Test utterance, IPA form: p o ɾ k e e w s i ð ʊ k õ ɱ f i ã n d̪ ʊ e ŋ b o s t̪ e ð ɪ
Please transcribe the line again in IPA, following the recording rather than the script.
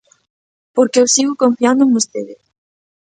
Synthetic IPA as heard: p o ɾ k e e w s i ɣ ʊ k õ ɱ f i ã n d̪ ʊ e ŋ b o s t̪ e ð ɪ

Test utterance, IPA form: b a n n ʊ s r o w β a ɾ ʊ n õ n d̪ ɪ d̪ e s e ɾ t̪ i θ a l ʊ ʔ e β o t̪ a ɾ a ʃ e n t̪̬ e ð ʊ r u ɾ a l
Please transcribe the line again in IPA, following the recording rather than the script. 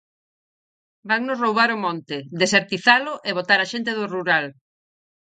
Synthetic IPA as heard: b a ŋ n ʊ s r o w β a ɾ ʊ m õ n t̪ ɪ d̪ e s e ɾ t̪ i θ a l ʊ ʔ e β o t̪ a ɾ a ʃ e n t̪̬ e ð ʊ r u ɾ a l

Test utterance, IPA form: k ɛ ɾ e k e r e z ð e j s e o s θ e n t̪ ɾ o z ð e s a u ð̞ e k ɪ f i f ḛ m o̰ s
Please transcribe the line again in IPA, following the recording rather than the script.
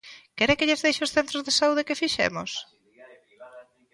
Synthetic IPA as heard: k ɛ ɾ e k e ʎ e z ð e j ʃ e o s θ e n t̪ ɾ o z ð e s a u ð̞ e k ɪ f i ʃ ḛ m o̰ s

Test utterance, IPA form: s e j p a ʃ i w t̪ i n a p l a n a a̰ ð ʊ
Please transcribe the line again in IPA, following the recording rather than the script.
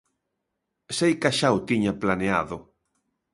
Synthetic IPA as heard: s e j k a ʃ a w t̪ i ɲ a p l a n e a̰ ð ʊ

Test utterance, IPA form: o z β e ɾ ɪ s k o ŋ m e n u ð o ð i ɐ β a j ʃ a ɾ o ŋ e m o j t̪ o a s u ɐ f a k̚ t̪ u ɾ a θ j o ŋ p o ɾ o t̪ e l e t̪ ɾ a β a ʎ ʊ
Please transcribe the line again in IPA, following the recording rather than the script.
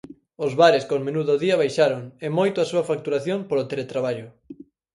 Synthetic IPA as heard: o z β a ɾ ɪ s k o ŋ m e n u ð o ð i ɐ β a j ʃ a ɾ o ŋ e m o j t̪ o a s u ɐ f a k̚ t̪ u ɾ a θ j o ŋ p o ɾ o t̪ e l e t̪ ɾ a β a ʎ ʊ

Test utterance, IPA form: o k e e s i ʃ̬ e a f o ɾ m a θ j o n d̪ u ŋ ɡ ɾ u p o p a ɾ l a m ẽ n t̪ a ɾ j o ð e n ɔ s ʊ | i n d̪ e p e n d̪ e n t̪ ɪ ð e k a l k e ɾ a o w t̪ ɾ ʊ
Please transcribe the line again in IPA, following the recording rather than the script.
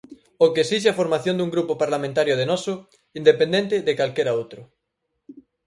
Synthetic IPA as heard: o k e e s i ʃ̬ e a f o ɾ m a θ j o n d̪ u ŋ ɡ ɾ u p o p a ɾ l a m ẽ n t̪ a ɾ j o ð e n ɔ s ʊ | i n d̪ e p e n d̪ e n t̪ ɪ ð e k a l k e ɾ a o w t̪ ɾ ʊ

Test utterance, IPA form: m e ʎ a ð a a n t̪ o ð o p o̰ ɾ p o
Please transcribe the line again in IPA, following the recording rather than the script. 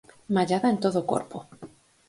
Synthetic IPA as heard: m a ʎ a ð a e n t̪ o ð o k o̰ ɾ p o

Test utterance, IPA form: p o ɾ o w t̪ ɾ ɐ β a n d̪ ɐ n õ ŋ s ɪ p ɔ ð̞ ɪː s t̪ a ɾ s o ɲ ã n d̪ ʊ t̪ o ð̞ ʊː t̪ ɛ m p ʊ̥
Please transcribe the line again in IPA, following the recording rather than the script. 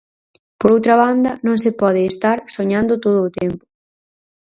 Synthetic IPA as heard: p o ɾ o w t̪ ɾ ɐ β a n d̪ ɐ n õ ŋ s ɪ p ɔ ð̞ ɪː s t̪ a ɾ s o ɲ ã n d̪ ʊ t̪ o ð̞ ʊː t̪ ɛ m p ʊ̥

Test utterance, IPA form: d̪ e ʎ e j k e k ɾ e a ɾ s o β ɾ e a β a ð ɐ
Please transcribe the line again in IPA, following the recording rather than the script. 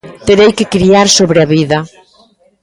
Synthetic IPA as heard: t̪ e ɾ e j k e k ɾ i a ɾ s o β ɾ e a β i ð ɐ

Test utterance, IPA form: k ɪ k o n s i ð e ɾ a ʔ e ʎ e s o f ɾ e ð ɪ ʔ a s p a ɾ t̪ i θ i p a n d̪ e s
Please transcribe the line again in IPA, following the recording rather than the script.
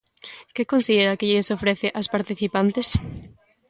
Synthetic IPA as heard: k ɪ k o n s i ð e ɾ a k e ʎ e s o f ɾ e θ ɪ ʔ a s p a ɾ t̪ i θ i p a n t̪ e s

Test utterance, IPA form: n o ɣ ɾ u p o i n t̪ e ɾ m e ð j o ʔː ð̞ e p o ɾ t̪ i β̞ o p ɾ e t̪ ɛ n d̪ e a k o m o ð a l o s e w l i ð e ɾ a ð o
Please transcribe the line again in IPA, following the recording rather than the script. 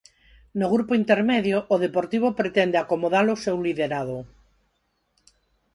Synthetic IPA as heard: n o ɣ ɾ u p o i n t̪ e ɾ m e ð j o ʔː ð̞ e p o ɾ t̪ i β̞ o p ɾ e t̪ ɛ n d̪ e a k o m o ð a l o s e w l i ð e ɾ a ð o

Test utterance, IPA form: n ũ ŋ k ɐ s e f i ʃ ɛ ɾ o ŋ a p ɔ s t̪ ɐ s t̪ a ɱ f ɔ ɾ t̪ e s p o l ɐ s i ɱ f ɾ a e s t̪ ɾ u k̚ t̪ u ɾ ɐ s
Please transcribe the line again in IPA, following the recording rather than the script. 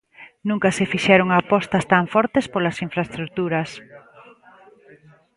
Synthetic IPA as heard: n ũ ŋ k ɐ s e f i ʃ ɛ ɾ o ŋ a p ɔ s t̪ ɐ s t̪ a ɱ f ɔ ɾ t̪ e s p o l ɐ s i ɱ f ɾ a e s t̪ ɾ u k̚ t̪ u ɾ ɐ s

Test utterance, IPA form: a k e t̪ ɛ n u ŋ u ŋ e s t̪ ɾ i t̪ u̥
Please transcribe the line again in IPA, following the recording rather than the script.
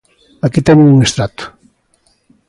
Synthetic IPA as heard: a k i t̪ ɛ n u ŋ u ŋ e s t̪ ɾ a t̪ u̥

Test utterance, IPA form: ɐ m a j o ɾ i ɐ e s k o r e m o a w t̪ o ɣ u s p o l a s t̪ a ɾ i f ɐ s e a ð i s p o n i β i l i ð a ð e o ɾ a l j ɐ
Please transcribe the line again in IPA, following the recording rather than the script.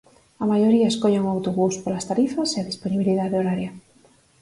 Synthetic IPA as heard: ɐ m a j o ɾ i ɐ e s k o ʎ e ŋ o a w t̪ o ɣ u s p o l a s t̪ a ɾ i f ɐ s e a ð i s p o n i β i l i ð a ð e o ɾ a ɾ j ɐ

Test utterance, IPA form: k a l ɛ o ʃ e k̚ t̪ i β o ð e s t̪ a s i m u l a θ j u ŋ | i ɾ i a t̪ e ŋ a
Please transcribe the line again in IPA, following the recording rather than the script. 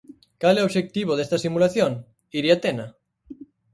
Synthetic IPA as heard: k a l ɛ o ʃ e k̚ t̪ i β o ð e s t̪ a s i m u l a θ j o ŋ | i ɾ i a t̪ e n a

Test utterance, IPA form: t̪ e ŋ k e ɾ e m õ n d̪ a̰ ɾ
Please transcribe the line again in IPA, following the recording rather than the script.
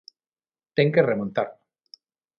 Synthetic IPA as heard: t̪ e ŋ k e r e m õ n t̪ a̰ ɾ

